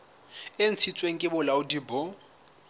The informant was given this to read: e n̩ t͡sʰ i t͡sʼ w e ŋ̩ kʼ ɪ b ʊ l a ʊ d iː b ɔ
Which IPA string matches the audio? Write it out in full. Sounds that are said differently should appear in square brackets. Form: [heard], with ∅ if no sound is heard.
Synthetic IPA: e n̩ t͡sʰ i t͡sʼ w e ŋ̩ kʼ ɪ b ʊ l a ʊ d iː b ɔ